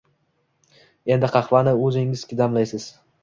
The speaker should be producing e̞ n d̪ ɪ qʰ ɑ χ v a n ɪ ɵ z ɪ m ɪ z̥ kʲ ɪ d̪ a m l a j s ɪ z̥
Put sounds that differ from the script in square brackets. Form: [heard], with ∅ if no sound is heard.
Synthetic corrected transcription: e̞ n d̪ ɪ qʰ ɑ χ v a n ɪ ɵ z ɪ [ŋ] ɪ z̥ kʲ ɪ d̪ a m l a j s ɪ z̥